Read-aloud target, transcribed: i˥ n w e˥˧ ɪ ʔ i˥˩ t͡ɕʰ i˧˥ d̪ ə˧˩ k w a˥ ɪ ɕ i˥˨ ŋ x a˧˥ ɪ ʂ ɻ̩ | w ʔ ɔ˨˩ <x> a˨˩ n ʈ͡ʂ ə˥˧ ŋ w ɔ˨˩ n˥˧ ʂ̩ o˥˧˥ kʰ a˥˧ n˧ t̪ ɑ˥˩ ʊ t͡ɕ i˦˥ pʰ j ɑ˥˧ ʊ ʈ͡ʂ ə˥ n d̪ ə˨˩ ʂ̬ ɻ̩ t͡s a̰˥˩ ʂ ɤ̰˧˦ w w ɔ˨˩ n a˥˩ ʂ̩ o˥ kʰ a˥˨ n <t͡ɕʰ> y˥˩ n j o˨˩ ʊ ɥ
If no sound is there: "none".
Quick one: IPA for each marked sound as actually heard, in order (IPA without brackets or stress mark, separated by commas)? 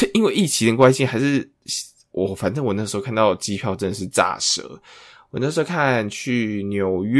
f, t͡ɕʰ